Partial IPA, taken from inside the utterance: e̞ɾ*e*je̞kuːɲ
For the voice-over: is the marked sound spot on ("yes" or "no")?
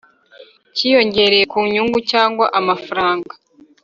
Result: yes